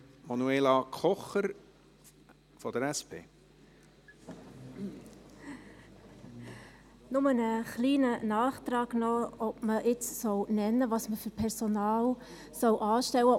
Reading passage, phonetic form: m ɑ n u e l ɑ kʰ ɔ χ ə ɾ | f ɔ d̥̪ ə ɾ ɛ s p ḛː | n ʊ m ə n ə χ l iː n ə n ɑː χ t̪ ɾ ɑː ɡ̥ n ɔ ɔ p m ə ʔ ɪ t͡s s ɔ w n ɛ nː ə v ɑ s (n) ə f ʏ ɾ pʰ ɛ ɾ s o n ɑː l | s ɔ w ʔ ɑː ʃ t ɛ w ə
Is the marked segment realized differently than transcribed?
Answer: yes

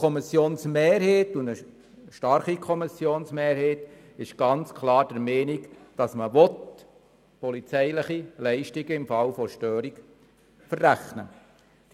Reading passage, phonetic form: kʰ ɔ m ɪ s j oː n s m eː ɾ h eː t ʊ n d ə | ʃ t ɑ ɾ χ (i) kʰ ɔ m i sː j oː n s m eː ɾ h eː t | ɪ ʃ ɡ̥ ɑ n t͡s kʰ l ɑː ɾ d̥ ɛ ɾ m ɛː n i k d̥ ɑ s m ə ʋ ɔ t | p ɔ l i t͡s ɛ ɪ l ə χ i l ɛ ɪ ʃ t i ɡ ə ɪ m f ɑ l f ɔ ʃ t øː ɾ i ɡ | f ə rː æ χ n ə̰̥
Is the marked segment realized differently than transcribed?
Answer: no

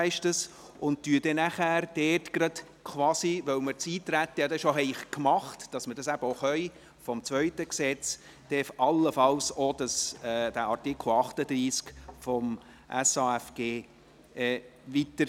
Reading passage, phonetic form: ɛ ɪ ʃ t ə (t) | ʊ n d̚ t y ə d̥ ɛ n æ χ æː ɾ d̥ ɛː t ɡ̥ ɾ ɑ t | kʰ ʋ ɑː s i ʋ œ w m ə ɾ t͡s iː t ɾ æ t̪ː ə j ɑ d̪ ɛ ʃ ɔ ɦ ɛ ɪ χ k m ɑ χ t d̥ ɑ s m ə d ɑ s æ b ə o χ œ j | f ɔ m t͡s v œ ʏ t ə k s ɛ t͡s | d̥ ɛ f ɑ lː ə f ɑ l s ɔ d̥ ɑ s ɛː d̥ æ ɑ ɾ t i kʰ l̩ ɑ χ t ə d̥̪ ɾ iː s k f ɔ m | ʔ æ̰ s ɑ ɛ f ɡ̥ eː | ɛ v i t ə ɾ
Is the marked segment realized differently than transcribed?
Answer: yes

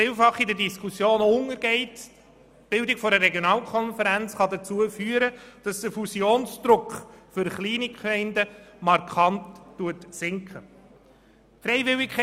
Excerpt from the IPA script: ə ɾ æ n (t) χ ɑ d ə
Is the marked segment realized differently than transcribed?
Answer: yes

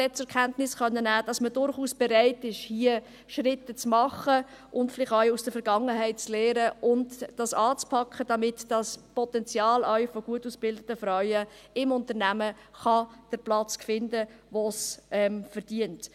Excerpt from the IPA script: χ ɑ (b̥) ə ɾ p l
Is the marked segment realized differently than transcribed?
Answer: yes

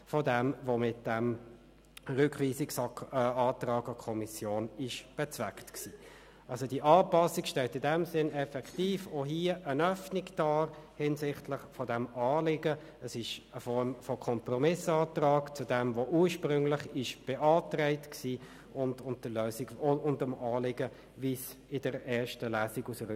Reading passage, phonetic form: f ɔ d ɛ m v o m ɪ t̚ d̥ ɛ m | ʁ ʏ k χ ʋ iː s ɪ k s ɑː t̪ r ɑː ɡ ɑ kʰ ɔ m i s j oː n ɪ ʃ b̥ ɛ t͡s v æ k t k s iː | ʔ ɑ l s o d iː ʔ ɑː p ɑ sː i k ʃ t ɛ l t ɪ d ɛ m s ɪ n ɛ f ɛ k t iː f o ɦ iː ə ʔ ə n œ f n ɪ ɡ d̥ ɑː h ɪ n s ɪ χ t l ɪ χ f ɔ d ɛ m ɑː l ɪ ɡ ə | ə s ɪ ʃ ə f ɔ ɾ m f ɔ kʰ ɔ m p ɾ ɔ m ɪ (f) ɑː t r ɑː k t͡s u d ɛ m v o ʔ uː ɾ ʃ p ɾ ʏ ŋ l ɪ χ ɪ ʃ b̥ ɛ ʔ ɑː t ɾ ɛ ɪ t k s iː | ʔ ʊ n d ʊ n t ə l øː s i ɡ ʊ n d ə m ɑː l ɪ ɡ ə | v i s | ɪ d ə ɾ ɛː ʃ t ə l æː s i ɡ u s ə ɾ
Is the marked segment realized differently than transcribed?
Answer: yes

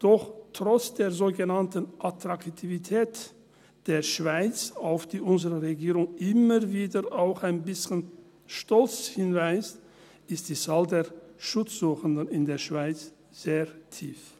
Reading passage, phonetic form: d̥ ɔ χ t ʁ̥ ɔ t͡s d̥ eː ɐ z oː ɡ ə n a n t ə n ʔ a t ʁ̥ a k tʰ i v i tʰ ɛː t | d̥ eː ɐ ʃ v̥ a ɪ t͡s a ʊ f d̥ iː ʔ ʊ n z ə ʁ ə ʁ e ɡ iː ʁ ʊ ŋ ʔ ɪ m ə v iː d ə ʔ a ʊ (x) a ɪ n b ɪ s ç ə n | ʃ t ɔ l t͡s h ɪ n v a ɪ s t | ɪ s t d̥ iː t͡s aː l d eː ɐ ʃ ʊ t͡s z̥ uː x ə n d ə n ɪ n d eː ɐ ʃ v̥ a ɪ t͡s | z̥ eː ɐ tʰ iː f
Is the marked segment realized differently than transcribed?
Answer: no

